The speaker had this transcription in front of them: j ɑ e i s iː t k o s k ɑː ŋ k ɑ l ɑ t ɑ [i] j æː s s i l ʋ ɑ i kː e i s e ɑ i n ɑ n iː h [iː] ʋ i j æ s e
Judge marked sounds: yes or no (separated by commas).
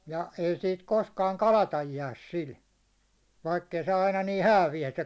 no, no